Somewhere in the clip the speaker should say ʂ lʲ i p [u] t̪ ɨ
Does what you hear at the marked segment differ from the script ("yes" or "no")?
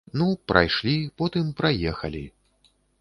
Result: yes